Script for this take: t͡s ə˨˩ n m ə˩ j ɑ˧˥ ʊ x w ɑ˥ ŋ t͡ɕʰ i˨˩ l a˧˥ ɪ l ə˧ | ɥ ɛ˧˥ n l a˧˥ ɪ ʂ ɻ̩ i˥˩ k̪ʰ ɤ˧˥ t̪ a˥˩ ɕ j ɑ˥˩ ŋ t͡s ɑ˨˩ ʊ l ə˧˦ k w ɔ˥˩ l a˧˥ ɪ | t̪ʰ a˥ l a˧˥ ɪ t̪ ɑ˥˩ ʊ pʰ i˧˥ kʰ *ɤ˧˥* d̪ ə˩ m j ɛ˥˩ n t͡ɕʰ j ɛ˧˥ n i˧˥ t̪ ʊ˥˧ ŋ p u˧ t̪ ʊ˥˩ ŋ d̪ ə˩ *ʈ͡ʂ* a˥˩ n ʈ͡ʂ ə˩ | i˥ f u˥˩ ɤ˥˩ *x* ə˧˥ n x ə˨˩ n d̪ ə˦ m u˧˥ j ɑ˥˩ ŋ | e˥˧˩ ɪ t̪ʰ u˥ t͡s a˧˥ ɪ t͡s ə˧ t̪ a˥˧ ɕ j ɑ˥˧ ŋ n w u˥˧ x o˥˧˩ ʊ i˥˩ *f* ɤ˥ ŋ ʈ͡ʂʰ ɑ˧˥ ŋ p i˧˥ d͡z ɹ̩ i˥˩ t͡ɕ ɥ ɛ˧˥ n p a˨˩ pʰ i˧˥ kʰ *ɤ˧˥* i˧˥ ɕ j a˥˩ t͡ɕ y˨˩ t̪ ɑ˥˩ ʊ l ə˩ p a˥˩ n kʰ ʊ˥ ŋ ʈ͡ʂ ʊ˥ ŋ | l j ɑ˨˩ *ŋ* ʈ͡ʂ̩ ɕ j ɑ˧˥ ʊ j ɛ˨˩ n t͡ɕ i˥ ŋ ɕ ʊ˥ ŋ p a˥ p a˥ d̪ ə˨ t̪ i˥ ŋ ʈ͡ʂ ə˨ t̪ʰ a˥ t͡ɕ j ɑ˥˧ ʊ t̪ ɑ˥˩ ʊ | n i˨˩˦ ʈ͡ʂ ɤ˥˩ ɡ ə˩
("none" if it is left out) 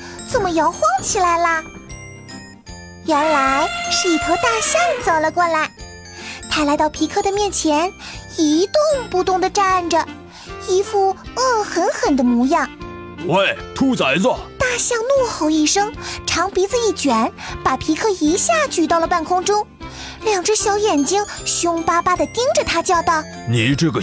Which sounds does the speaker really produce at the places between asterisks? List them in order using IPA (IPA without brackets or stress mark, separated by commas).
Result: ɤ˥˩, ʈ͡ʂ, x, ʂ, ɤ˥˩, ŋ